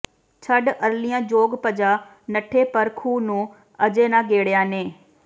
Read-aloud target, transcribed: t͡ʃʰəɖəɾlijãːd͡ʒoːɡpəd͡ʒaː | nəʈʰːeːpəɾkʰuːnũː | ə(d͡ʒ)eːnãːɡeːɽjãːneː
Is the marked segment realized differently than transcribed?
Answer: no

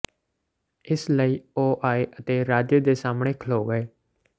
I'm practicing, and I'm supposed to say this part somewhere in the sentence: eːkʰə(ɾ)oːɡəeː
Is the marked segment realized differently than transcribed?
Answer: yes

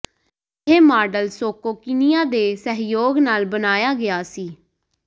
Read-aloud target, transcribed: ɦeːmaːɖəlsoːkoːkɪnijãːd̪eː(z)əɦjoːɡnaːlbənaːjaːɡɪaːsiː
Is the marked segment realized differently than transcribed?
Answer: yes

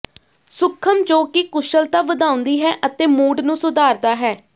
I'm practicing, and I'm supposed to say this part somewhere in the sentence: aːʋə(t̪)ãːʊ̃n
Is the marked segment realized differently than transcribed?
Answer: yes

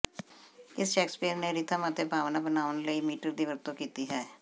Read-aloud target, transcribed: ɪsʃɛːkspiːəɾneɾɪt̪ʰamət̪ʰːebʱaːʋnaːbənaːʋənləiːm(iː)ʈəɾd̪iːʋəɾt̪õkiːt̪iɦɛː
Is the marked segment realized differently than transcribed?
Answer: no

